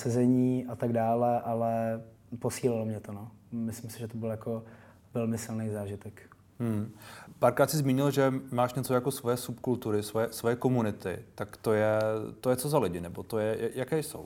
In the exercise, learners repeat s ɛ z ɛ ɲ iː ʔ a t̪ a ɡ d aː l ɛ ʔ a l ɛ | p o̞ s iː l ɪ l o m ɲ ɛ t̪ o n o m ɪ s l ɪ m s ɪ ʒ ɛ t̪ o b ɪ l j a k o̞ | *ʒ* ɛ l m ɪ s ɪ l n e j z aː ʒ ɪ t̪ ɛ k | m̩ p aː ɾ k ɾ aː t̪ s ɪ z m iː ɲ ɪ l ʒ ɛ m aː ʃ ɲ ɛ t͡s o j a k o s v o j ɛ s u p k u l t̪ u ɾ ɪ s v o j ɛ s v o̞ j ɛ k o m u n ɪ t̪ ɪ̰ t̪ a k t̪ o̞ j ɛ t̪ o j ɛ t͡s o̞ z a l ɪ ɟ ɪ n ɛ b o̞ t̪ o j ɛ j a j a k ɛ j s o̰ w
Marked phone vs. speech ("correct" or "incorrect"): incorrect